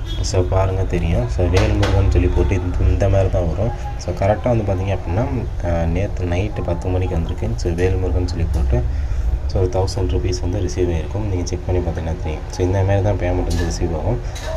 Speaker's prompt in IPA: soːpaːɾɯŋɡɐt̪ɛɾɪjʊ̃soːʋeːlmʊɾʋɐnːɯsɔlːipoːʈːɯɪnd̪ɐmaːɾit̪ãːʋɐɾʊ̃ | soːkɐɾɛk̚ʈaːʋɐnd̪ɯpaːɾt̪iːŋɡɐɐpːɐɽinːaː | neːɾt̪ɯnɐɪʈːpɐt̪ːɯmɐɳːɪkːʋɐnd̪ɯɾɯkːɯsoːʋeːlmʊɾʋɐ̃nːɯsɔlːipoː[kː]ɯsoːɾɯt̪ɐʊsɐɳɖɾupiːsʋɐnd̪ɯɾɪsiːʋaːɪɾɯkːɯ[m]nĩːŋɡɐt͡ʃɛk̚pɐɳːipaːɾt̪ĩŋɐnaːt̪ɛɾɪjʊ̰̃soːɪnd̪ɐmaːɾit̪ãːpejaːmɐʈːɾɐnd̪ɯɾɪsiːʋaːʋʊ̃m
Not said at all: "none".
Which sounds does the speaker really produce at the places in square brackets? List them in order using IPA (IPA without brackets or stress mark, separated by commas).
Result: ʈː, m